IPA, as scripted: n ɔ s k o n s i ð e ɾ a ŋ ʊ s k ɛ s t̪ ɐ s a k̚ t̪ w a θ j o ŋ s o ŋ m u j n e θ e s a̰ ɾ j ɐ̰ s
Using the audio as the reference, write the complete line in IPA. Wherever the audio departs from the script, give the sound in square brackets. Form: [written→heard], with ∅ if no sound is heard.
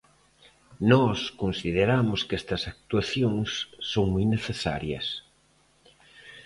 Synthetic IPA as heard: n ɔ s k o n s i ð e ɾ a [ŋ→m] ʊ s k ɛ s t̪ ɐ s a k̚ t̪ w a θ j o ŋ [s→sː] o ŋ m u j n e θ e s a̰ ɾ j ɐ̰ s